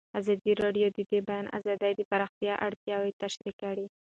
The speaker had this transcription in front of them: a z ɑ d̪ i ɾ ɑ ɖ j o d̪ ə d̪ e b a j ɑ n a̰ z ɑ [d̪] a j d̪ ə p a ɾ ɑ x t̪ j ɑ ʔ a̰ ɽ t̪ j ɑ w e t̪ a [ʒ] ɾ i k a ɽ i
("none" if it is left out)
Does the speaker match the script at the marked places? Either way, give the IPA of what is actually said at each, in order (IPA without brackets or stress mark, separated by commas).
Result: d̪, ʃ